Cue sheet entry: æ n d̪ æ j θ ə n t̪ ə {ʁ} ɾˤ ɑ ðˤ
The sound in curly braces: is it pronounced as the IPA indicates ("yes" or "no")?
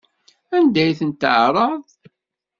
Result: no